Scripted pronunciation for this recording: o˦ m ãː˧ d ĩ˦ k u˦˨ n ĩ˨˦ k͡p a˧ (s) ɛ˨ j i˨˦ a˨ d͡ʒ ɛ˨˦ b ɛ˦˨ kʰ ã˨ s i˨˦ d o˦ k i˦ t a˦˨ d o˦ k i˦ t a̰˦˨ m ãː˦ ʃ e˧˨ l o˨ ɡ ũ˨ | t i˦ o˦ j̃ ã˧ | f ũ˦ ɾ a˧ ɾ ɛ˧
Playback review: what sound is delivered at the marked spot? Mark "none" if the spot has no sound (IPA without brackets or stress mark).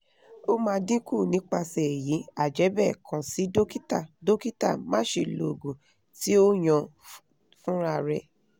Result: s